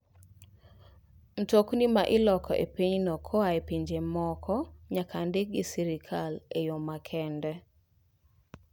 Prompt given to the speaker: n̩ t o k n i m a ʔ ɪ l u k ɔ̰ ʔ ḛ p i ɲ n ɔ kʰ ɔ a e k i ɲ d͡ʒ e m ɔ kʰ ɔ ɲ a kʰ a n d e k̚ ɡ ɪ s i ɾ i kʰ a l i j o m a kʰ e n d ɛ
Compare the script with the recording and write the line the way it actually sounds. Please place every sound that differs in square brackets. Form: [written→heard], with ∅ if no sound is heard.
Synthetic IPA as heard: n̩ t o k n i m a ʔ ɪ l [u→ɔ] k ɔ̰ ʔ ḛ p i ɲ n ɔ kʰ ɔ a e [k→p] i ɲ d͡ʒ e m ɔ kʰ ɔ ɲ a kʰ a n d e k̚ ɡ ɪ s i ɾ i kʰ a l [i→e] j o m a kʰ [e→ɛ] n d ɛ